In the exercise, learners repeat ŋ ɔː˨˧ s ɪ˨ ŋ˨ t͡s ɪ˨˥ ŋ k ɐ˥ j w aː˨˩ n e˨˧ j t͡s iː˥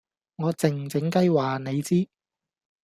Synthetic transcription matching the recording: ŋ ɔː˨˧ t͡s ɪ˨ ŋ˨ t͡s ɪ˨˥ ŋ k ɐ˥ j w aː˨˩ n e˨˧ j t͡s iː˥

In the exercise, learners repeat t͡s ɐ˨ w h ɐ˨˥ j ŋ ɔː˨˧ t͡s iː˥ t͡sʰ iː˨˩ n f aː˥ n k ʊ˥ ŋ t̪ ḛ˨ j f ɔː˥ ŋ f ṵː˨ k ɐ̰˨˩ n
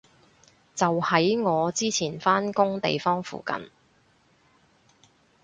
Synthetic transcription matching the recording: t͡s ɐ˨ w h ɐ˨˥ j ŋ ɔː˨˧ t͡s iː˥ t͡sʰ iː˨˩ n f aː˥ n k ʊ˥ ŋ t̪ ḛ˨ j f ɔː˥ ŋ f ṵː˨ k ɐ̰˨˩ n

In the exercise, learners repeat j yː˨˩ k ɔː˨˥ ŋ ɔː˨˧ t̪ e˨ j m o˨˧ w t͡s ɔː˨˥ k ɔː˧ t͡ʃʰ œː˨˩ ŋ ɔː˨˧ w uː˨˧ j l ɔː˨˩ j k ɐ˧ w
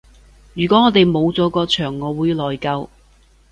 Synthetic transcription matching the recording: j yː˨˩ k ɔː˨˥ ŋ ɔː˨˧ t̪ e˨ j m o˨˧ w t͡s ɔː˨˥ k ɔː˧ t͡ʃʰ œː˨˩ ŋː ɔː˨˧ w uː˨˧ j l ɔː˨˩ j k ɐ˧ w

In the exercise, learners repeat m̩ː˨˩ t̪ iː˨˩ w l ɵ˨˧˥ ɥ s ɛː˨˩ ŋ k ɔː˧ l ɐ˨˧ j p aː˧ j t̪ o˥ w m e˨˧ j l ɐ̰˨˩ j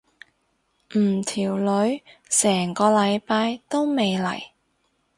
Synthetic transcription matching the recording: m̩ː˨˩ t̪ʰ iː˨˩ w l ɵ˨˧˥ ɥ s ɛː˨˩ ŋ k ɔː˧ l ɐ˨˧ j p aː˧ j t̪ o˥ w m e˨˧ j l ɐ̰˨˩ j

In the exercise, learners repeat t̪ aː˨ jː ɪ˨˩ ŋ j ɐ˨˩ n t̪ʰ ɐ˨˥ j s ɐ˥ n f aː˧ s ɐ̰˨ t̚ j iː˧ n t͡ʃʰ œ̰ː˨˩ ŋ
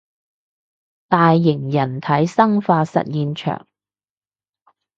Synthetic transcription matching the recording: t̪ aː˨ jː ɪ˨˩ ŋ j ɐ˨˩ n t̪ʰ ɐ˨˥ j s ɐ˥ ŋ f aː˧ s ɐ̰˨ t̚ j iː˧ n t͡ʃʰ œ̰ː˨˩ ŋ

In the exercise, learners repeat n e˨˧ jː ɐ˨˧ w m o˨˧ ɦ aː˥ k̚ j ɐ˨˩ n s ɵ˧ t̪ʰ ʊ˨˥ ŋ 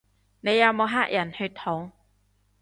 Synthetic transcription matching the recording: n e˨˧ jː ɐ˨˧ w m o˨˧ ɦ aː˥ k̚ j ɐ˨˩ n h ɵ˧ t̪ʰ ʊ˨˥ ŋ

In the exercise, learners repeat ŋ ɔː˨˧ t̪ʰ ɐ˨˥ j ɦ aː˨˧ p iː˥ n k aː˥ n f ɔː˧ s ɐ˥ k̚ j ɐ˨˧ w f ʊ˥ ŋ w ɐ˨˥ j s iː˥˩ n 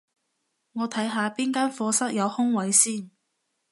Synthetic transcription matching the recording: ŋ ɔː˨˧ t̪ʰ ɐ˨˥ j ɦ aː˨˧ p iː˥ n k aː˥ n f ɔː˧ s ɐ˥ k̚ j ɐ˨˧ w h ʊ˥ ŋ w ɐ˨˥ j s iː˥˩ n

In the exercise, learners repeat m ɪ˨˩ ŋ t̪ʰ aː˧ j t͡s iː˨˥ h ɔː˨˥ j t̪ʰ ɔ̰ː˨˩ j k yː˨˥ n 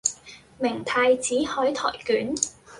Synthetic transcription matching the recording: m ɪ˨˩ ŋ t̪ʰ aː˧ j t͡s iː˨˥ h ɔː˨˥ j t̪ʰ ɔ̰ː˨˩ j k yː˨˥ n

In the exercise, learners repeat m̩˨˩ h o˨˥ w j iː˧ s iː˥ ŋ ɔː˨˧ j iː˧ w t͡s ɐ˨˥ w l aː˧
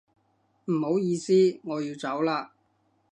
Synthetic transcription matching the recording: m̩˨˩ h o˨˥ w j iː˧ s iː˥ ŋ ɔː˨˧ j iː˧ w t͡s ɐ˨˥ w l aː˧

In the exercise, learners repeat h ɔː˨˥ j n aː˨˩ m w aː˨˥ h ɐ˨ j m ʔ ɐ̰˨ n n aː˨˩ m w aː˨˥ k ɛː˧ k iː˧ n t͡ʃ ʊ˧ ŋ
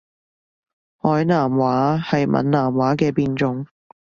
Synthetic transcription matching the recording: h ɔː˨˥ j n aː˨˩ m w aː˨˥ h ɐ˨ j m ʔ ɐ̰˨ n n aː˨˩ m w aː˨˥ k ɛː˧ p iː˧ n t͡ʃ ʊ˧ ŋ

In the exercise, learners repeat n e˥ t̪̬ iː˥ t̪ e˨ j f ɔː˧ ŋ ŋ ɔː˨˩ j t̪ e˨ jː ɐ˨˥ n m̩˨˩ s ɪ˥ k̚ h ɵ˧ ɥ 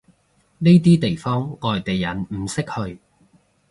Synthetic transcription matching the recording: n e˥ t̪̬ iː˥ t̪ e˨ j f ɔː˥ ŋ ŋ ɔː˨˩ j t̪ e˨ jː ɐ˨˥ n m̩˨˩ s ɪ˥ k̚ h ɵ˧ ɥ

